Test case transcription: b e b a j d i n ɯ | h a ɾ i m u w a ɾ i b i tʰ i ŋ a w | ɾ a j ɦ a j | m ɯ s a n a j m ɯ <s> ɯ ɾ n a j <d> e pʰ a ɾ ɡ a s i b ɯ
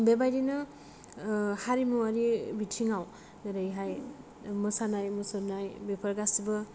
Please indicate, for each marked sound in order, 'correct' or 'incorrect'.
correct, incorrect: b

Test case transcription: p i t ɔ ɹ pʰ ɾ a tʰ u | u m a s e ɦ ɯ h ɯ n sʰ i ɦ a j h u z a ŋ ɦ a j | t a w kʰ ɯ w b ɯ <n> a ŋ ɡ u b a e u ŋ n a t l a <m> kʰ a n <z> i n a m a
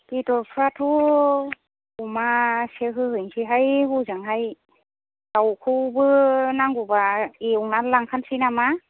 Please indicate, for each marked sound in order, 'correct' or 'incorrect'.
correct, incorrect: ŋ, incorrect: s

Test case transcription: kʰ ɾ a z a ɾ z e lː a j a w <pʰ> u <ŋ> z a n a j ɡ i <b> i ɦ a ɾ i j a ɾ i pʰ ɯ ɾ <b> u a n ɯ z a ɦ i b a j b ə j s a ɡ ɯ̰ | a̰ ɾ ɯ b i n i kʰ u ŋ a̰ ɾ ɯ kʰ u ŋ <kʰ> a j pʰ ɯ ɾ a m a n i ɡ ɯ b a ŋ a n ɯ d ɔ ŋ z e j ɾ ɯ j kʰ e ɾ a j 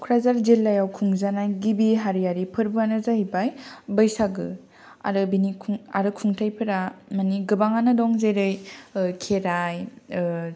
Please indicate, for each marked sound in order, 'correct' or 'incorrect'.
incorrect: kʰ, correct, correct, correct, incorrect: tʰ

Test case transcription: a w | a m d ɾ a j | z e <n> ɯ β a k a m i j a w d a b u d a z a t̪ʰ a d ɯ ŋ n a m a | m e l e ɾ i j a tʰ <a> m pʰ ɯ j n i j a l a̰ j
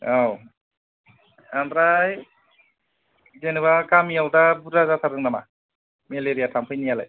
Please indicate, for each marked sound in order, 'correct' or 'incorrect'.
correct, correct

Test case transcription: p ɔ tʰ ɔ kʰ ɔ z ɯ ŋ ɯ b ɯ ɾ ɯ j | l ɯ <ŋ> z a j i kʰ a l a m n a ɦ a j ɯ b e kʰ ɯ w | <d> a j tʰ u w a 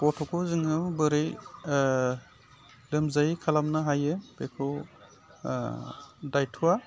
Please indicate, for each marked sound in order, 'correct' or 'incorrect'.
incorrect: m, correct

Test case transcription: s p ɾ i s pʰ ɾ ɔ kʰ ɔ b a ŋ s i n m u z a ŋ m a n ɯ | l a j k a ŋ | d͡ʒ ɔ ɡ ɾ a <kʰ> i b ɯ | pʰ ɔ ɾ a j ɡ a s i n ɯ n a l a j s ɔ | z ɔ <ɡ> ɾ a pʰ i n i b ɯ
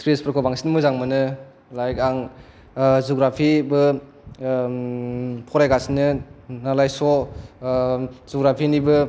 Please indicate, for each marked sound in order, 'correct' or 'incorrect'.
incorrect: pʰ, correct

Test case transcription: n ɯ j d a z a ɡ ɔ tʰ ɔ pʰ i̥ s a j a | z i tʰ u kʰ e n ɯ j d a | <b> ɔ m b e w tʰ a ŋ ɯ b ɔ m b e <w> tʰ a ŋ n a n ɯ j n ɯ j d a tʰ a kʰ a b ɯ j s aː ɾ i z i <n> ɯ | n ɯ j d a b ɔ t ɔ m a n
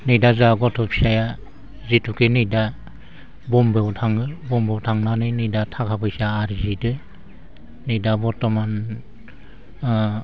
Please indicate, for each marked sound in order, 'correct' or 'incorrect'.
correct, correct, incorrect: d

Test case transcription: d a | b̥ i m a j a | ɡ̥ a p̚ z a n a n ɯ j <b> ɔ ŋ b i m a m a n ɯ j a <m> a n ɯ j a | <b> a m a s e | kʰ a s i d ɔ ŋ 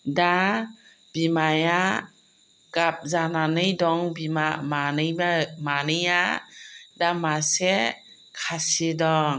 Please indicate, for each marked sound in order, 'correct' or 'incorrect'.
incorrect: d, correct, incorrect: d

